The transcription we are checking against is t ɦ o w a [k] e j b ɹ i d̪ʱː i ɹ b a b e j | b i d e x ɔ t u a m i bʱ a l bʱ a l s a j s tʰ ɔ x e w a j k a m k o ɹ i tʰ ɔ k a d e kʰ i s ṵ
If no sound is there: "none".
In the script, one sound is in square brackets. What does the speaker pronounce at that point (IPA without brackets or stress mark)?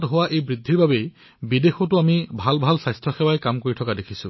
ʔ